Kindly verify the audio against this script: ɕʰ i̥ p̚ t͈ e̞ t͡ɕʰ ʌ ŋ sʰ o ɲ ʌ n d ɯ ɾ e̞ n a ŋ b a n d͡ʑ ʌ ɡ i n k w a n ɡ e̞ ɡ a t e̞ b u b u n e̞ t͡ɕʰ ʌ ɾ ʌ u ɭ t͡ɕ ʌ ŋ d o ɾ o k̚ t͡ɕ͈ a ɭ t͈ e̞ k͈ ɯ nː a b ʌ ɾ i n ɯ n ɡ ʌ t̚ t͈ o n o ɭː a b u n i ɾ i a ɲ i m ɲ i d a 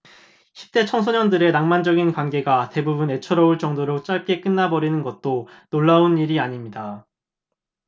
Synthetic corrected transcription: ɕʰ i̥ p̚ t͈ e̞ t͡ɕʰ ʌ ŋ sʰ o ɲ ʌ n d ɯ ɾ e̞ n a ŋ m a n d͡ʑ ʌ ɡ i n k w a n ɡ e̞ ɡ a t e̞ b u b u n e̞ t͡ɕʰ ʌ ɾ ʌ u ɭ t͡ɕ ʌ ŋ d o ɾ o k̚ t͡ɕ͈ a ɭ k͈ e̞ k͈ ɯ nː a b ʌ ɾ i n ɯ n ɡ ʌ t̚ t͈ o n o ɭː a u n i ɾ i a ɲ i m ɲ i d a